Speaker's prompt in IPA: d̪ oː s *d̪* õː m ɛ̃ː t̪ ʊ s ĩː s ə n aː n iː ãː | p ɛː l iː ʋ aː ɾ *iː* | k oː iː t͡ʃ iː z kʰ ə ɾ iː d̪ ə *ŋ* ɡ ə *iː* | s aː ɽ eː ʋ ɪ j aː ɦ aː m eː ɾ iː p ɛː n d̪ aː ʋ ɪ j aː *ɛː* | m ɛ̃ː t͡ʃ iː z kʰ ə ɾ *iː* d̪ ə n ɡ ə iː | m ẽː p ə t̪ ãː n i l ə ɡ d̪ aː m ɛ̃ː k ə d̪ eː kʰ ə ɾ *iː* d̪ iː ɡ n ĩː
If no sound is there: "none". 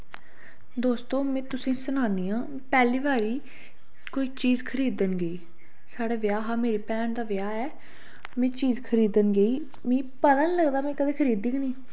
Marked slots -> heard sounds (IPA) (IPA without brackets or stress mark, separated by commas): t̪, iː, n, iː, ɛː, iː, iː